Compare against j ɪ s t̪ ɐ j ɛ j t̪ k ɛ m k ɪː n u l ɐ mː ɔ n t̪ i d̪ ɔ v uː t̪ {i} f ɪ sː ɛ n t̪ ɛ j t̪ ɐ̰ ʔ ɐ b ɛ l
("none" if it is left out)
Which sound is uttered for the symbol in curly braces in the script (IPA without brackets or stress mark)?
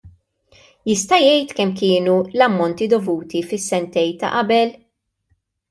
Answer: i